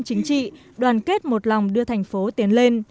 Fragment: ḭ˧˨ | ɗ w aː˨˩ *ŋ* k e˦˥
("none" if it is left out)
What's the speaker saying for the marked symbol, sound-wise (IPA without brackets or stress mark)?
n